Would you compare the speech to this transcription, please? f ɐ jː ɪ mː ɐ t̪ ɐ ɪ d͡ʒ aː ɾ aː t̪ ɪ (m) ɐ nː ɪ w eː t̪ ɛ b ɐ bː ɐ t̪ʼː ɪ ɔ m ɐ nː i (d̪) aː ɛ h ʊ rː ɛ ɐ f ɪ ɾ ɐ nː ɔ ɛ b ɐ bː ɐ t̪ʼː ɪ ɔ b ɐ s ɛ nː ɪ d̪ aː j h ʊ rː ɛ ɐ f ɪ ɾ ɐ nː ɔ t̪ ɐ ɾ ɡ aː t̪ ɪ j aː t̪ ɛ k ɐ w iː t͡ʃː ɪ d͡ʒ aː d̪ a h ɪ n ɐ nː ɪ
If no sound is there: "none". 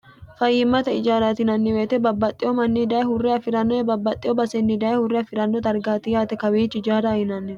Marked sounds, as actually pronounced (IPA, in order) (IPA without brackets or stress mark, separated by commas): n, d̪